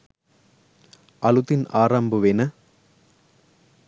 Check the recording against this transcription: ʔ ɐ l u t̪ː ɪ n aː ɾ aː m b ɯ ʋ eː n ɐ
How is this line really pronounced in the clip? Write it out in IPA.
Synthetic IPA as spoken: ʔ ɐ l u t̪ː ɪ n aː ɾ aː m b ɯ ʋ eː n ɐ

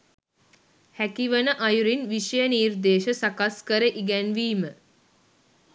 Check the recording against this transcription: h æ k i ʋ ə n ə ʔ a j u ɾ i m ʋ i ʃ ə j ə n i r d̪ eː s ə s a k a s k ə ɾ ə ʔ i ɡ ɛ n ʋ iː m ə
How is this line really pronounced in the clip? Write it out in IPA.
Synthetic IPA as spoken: h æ k i ʋ ə n ə ʔ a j u ɾ i n ʋ i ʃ ə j ə n iː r d̪ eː ʃ ə s a k a s k ə ɾ ə ʔ i ɡ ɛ n ʋ iː m ə

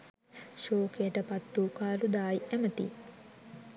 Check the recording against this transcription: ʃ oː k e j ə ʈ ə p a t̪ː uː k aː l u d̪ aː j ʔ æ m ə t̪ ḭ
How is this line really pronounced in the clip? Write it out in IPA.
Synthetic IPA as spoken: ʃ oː k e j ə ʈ ə p a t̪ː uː k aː l u d̪ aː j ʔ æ m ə t̪ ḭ

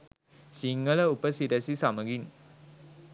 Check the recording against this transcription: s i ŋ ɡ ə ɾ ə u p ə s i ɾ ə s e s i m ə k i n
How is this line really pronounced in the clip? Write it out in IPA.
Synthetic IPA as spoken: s i ŋ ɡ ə l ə u p ə s i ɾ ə s i s a m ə ɡ i n

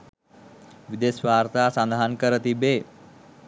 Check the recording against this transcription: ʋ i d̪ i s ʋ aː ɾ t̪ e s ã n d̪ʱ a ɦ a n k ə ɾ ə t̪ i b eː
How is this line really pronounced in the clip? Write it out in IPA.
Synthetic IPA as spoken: ʋ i d̪ e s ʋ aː ɾ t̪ a s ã n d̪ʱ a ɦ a n k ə ɾ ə t̪ i b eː

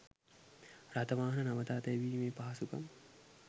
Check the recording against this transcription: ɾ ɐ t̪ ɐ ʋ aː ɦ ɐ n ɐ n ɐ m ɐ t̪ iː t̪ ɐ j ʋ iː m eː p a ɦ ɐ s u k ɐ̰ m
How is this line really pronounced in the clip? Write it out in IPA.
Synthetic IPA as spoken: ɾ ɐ t̪ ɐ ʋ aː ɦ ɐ n ɐ n ɐ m ɐ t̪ aː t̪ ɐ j ʋ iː m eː p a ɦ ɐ s u k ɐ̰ m

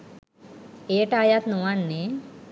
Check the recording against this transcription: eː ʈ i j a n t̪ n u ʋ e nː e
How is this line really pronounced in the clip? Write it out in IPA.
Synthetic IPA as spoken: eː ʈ a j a t̪ n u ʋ a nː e

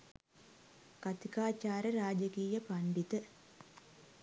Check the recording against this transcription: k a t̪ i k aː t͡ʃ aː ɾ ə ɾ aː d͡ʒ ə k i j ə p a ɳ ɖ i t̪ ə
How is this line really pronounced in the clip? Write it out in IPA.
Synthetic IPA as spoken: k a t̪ i k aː t͡ʃ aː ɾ ə ɾ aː d͡ʒ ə k iː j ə p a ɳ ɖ i t̪ ə

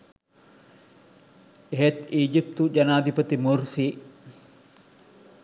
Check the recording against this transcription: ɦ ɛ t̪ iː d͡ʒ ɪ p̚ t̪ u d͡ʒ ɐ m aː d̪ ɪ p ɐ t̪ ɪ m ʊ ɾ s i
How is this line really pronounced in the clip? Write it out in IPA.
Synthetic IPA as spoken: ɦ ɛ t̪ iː d͡ʒ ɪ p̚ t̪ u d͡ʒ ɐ n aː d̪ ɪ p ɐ t̪ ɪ m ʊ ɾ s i

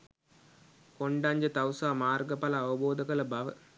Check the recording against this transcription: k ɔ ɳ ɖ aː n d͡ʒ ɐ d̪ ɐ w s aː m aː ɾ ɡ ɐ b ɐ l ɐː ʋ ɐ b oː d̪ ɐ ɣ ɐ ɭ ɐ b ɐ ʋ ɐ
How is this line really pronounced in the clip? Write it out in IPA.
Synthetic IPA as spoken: k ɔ ɳ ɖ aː ɲ d͡ʒ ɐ t̪ ɐ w s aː m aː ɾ ɡ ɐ p ɐ l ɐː ʋ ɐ b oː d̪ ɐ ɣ ɐ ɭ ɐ b ɐ ʋ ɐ

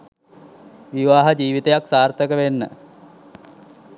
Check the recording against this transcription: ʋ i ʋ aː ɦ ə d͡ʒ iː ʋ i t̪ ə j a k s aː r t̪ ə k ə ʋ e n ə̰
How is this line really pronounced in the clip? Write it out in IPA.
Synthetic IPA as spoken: ʋ i ʋ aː ɦ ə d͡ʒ iː ʋ i t̪ ə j a k s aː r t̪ ə k ə ʋ e nː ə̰

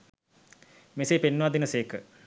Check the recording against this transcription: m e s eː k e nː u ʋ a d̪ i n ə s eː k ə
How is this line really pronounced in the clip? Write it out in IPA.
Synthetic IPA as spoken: m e s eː p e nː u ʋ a d̪ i n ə s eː k ə

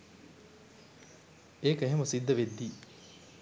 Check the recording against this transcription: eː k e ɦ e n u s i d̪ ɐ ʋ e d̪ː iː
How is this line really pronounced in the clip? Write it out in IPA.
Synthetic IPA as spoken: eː k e ɦ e m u s i d̪ː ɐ ʋ e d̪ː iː

